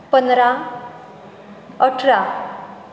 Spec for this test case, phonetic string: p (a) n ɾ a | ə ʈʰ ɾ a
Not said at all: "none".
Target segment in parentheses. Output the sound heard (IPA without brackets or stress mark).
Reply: ə